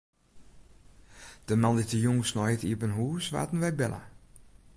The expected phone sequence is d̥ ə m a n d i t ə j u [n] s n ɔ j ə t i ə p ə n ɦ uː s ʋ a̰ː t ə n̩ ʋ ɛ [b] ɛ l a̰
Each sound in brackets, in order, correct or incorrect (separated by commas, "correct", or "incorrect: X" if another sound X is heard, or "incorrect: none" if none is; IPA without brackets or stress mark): incorrect: ŋ, correct